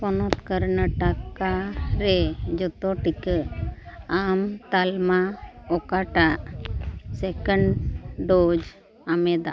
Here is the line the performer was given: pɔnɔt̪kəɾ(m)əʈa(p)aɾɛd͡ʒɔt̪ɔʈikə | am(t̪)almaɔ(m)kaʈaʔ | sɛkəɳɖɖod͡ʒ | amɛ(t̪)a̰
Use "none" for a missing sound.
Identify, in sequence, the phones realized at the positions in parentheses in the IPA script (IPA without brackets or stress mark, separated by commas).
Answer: n, k, t̪, none, d̪